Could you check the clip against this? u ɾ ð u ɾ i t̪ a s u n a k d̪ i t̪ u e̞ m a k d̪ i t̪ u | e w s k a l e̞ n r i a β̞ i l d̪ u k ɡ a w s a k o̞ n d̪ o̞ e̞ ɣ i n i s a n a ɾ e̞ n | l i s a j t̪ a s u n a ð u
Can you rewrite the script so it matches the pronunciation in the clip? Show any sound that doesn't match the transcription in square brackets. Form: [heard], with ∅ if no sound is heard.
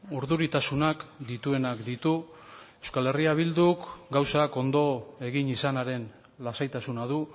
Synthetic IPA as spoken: u ɾ ð u ɾ i t̪ a s u n a k d̪ i t̪ u e̞ [n] a k d̪ i t̪ u | e w s k a l e̞ [∅] r i a β̞ i l d̪ u k ɡ a w s a k o̞ n d̪ o̞ e̞ ɣ i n i s a n a ɾ e̞ n | l [a] s a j t̪ a s u n a ð u

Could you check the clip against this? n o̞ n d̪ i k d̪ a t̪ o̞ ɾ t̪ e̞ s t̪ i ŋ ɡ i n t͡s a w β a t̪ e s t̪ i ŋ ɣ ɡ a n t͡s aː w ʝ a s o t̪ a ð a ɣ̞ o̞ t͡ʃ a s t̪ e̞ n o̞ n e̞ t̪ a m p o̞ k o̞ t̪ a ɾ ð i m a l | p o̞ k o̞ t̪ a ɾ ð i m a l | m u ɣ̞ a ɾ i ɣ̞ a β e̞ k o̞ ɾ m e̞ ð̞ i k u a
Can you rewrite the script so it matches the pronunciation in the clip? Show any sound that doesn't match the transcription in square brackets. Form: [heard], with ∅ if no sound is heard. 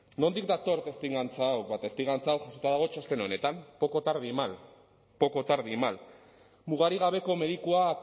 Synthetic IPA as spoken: n o̞ n d̪ i k d̪ a t̪ o̞ ɾ t̪ e̞ s t̪ i ŋ ɡ [a] n t͡s a w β a t̪ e s t̪ i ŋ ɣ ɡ a n t͡s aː w ʝ a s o t̪ a ð a ɣ̞ o̞ t͡ʃ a s t̪ e̞ n o̞ n e̞ t̪ a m p o̞ k o̞ t̪ a ɾ ð i m a l | p o̞ k o̞ t̪ a ɾ ð i m a l | m u ɣ̞ a ɾ i ɣ̞ a β e̞ k o̞ [∅] m e̞ ð̞ i k u a

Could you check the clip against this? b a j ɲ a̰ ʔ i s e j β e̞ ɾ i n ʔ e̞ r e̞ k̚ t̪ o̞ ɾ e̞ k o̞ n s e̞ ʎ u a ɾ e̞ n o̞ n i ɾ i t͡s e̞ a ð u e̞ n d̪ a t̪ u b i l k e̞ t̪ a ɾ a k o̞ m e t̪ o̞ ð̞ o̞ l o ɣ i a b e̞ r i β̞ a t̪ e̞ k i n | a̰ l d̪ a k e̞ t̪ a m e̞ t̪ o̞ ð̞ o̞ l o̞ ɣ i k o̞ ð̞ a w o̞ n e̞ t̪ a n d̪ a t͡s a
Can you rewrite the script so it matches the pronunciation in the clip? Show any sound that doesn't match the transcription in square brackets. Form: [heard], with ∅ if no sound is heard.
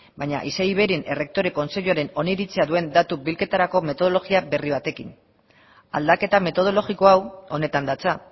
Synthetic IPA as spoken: b a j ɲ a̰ ʔ i s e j β e̞ ɾ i n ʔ e̞ r e̞ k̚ t̪ o̞ ɾ e̞ k o̞ n s e̞ ʎ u a ɾ e̞ n o̞ n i ɾ i t͡s e̞ a ð u e̞ n d̪ a t̪ u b i l k e̞ t̪ a ɾ a k o̞ m e t̪ o̞ ð̞ o̞ l o ɣ i a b e̞ r i β̞ a t̪ e̞ k i n | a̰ l d̪ a k e̞ t̪ a m e̞ t̪ o̞ ð̞ o̞ l o̞ ɣ i k o̞ [∅] a w o̞ n e̞ t̪ a n d̪ a t͡s a

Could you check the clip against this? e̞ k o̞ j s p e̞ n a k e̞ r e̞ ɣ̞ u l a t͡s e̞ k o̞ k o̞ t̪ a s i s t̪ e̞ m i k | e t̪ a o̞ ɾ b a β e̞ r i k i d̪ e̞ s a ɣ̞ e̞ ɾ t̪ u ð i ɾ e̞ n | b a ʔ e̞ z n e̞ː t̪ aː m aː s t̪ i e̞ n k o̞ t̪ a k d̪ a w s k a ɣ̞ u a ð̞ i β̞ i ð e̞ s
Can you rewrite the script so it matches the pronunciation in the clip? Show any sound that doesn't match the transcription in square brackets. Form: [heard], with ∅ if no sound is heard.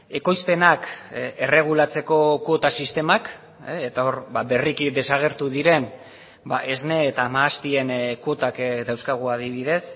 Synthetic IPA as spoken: e̞ k o̞ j s p e̞ n a k e̞ r e̞ ɣ̞ u l a t͡s e̞ k o̞ k o̞ t̪ a s i s t̪ e̞ m [a] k | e t̪ a o̞ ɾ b a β e̞ r i k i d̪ e̞ s a ɣ̞ e̞ ɾ t̪ u ð i ɾ e̞ n | b a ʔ e̞ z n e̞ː t̪ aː m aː s t̪ i e̞ n k o̞ t̪ a k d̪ a w s k a ɣ̞ u a ð̞ i β̞ i ð e̞ s

